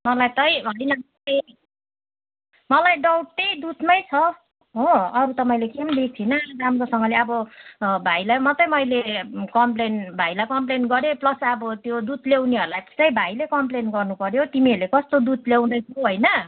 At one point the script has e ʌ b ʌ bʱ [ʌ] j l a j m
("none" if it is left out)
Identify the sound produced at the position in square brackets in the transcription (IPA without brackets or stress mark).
a